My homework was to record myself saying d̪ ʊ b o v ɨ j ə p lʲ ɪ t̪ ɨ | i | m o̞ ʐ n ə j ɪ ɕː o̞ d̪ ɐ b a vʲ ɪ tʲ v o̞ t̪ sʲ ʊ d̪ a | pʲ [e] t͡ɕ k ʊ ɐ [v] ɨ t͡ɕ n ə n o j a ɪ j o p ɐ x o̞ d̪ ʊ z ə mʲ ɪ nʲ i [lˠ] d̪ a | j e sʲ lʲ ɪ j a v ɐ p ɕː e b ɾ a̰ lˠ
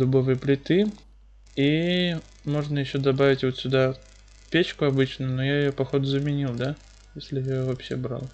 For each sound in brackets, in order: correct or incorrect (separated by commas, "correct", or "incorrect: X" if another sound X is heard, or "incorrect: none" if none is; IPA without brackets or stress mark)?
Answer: correct, incorrect: b, correct